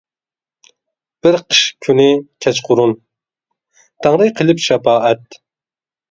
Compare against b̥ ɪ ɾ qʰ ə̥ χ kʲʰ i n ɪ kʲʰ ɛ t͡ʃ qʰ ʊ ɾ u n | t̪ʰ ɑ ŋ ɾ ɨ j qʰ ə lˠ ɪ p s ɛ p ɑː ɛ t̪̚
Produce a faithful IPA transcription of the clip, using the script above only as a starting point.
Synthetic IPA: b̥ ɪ ɾ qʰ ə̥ ʃ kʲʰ y n ɪ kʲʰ ɛ t͡ʃ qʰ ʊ ɾ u n | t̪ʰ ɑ ŋ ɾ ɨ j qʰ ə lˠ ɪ p ʃ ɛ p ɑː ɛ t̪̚